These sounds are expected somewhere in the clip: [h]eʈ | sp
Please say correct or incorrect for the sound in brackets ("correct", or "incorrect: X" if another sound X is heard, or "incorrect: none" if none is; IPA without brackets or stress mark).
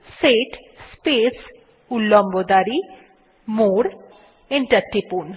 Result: incorrect: s